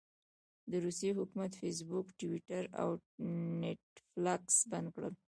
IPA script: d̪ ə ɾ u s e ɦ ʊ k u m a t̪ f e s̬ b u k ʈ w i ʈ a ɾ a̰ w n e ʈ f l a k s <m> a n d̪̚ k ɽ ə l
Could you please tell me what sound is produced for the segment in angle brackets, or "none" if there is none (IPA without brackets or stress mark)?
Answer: b